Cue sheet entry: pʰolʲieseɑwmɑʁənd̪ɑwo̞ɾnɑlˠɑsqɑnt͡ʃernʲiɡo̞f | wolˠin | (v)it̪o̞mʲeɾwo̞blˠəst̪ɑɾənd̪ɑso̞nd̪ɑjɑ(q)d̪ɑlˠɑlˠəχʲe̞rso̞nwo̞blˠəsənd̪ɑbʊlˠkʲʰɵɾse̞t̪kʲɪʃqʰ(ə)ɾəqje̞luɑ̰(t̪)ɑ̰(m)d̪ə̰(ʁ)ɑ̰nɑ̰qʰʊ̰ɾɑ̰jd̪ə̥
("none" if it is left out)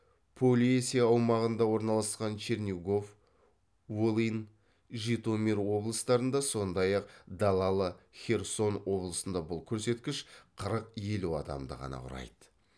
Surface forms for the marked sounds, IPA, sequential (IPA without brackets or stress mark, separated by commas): ʒ, q, ə, d̪, m, ʁ